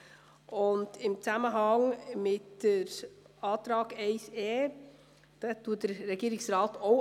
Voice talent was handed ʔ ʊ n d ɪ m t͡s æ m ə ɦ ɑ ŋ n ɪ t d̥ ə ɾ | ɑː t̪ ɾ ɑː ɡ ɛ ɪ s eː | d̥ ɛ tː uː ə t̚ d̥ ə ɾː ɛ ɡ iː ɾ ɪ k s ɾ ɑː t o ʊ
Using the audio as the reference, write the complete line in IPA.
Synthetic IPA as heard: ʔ ʊ n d ɪ m t͡s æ m ə ɦ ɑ ŋ m ɪ t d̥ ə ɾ | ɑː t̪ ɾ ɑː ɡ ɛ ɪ s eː | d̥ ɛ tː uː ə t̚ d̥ ə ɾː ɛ ɡ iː ɾ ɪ k s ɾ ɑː t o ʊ